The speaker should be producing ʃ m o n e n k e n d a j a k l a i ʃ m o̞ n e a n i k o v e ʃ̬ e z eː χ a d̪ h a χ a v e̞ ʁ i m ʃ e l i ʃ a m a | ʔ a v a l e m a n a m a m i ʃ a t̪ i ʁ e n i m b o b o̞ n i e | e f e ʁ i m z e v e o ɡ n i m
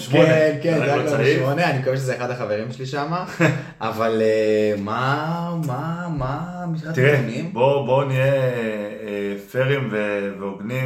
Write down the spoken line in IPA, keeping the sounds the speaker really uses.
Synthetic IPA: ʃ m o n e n k e n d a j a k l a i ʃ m o̞ n e a n i k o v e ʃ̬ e z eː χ a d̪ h a χ a v e̞ ʁ i m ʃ e l i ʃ a m a | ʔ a v a l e m a m a m a m i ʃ a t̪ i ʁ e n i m b o b o̞ n i e | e f e ʁ i m v e v e o ɡ n i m